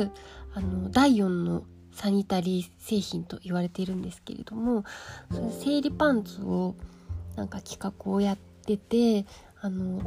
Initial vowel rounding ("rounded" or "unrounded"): unrounded